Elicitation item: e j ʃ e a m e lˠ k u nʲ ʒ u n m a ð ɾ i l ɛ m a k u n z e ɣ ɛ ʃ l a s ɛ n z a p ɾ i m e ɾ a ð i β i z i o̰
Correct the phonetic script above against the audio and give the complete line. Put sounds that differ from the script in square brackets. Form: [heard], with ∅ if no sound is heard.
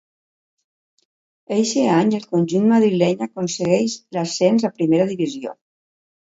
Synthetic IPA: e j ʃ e a [ɲ] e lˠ k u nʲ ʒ u n m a ð ɾ i l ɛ [ɲ] a k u n [s] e ɣ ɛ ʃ l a s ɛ n z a p ɾ i m e ɾ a ð i β i z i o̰